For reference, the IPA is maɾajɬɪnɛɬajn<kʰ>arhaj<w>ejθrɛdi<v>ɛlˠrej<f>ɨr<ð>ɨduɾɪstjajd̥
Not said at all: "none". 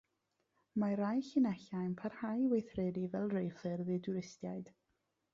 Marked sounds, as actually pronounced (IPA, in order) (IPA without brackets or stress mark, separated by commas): pʰ, w, v, f, ð